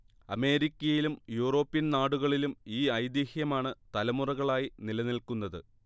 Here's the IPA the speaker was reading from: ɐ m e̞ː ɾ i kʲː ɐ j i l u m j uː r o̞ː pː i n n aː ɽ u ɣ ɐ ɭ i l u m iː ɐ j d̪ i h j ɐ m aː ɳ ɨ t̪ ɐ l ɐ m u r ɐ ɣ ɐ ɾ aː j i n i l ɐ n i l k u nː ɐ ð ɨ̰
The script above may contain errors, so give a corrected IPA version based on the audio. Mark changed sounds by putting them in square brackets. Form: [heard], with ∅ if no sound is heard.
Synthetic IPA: ɐ m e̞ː ɾ i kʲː ɐ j i l u m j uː r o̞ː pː i n n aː ɽ u ɣ ɐ ɭ i l u m iː ɐ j d̪ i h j ɐ m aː ɳ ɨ t̪ ɐ l ɐ m u r ɐ ɣ ɐ [ɭ] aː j i n i l ɐ n i l k u nː ɐ ð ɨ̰